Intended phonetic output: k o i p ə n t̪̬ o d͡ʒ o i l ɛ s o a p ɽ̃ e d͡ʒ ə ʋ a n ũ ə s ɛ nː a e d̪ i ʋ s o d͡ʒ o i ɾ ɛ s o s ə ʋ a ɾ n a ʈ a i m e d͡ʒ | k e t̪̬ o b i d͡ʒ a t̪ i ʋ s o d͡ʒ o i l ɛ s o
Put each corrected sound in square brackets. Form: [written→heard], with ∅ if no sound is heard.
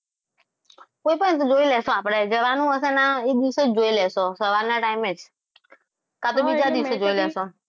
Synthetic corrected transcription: k o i p ə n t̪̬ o d͡ʒ o i l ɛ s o a p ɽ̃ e d͡ʒ ə ʋ a n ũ ə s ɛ [nː→n] a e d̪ i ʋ s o d͡ʒ o i [ɾ→l] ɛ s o s ə ʋ a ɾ n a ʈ a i m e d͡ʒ | k [e→a] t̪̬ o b i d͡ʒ a [t̪→d̪] i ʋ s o d͡ʒ o i l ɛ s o